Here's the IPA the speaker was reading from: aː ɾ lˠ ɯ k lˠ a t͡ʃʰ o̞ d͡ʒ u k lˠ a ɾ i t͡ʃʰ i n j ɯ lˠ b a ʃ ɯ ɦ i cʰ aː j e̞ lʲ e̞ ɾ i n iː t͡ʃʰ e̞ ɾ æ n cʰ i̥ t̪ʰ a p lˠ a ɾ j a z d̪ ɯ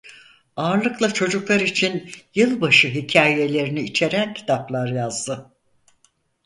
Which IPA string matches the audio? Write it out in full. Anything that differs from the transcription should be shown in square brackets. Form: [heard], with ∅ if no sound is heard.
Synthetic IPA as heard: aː ɾ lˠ ɯ k lˠ a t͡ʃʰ o̞ d͡ʒ u k lˠ a ɾ i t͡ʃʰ i n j ɯ lˠ b a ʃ ɯ ɦ i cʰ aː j e̞ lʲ e̞ ɾ i n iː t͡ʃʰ e̞ ɾ æ n cʰ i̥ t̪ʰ a p lˠ a ɾ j a z d̪ ɯ